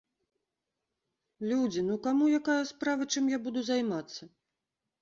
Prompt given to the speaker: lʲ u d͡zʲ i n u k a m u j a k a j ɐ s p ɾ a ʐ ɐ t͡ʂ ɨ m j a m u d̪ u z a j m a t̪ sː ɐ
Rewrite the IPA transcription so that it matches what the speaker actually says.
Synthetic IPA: lʲ u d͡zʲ i n u k a m u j a k a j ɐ s p ɾ a v ɐ t͡ʂ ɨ m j a b u d̪ u z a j m a t̪ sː ɐ